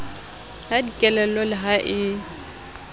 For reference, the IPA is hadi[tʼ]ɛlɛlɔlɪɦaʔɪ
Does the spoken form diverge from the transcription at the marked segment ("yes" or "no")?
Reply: yes